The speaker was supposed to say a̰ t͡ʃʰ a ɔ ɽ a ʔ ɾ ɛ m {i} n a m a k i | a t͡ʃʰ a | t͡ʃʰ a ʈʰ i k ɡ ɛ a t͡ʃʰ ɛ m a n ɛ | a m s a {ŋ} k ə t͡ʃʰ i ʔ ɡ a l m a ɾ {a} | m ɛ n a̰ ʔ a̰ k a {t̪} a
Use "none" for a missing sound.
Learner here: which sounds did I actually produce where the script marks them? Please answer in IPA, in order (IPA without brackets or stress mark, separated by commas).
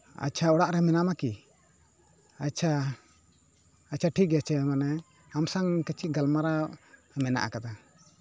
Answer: ɛ, ŋ, a, d̪